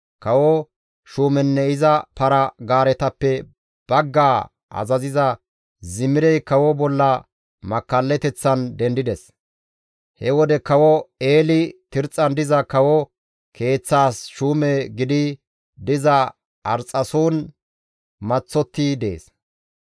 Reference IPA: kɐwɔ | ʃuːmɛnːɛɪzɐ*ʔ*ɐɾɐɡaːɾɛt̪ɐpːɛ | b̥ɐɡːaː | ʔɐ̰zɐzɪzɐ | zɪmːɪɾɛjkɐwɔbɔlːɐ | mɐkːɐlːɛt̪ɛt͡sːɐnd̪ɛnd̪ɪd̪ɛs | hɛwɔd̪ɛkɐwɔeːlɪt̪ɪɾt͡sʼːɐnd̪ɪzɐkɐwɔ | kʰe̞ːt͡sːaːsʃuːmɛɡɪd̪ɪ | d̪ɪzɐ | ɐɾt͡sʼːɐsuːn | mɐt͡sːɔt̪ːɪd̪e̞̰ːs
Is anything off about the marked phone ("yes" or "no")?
yes